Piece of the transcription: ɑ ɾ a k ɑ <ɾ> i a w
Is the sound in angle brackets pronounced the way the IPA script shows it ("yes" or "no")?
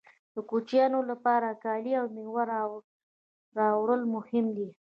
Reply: no